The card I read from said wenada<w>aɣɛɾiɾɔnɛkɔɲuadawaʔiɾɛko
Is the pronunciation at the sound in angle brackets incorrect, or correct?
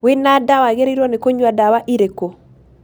correct